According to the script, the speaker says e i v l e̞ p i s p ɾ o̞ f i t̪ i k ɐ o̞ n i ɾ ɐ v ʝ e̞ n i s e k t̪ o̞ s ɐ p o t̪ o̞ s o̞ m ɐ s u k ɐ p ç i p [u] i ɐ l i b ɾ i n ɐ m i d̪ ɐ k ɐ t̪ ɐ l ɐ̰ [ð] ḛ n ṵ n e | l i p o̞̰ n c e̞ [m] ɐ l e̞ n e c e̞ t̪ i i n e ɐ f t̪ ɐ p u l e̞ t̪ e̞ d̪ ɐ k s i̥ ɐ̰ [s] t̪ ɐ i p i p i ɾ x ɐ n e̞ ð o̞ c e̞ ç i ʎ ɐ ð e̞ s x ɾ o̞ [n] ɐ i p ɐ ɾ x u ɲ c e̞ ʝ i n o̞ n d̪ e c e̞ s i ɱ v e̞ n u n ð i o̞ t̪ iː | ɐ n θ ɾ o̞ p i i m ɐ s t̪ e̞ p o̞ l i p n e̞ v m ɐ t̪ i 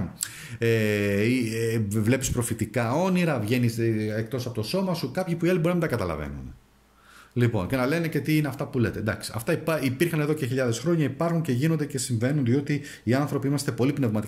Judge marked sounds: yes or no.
yes, no, no, no, no

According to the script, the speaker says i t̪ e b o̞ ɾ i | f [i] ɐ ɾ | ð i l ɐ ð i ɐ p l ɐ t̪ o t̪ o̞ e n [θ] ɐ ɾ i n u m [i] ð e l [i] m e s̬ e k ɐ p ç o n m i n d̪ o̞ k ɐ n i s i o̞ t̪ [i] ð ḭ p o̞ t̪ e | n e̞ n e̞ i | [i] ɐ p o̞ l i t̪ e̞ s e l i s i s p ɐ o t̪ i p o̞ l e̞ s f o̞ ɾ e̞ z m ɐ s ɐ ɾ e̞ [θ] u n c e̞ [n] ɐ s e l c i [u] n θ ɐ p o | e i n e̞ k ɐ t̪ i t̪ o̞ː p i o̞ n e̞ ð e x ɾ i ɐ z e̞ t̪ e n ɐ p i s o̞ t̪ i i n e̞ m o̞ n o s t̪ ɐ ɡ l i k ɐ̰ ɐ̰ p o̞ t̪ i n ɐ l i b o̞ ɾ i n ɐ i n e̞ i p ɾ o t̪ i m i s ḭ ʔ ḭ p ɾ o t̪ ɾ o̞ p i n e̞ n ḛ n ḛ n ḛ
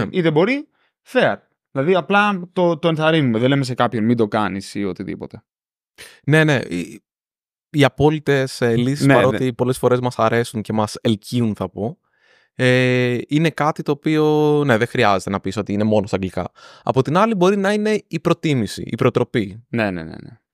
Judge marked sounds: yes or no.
no, yes, no, no, yes, yes, no, no, yes

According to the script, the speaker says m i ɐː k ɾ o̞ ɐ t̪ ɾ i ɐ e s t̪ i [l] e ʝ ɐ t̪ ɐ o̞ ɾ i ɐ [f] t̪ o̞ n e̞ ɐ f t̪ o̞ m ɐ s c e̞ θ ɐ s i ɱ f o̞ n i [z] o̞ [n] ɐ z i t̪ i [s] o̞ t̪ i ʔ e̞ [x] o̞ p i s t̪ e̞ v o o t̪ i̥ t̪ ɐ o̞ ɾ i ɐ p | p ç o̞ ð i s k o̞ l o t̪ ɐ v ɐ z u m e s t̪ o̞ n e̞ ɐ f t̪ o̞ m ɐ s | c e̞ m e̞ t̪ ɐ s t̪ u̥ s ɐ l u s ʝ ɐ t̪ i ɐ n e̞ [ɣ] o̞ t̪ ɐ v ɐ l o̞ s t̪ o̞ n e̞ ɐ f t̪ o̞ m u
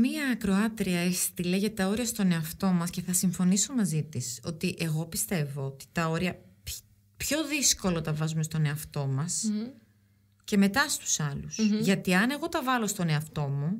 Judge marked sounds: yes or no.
yes, no, no, no, yes, no, yes

